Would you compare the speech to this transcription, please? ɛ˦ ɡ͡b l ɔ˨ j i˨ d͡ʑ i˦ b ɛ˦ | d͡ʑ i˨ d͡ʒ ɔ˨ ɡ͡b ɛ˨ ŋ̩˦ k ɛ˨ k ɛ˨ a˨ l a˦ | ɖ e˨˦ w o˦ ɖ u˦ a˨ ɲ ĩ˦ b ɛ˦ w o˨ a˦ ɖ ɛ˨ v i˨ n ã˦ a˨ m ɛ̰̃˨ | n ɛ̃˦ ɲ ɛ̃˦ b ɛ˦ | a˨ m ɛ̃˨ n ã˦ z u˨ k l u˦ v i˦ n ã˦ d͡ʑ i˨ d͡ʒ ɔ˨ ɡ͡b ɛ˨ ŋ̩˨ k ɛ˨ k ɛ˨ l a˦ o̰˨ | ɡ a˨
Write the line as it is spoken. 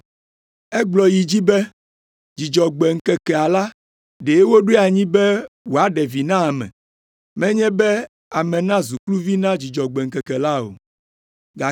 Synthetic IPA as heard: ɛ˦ ɡ͡b l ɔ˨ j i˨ d͡ʑ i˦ b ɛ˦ | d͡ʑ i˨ d͡ʒ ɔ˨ ɡ͡b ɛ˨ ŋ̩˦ k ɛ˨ k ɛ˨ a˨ l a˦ | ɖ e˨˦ w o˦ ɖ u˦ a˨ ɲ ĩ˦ b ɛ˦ w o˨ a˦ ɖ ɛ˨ v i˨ n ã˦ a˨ m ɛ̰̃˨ | m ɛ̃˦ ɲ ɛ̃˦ b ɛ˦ | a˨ m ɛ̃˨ n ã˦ z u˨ k l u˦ v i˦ n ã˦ d͡ʑ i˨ d͡ʒ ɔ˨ ɡ͡b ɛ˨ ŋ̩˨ k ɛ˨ k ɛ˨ l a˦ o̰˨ | ɡ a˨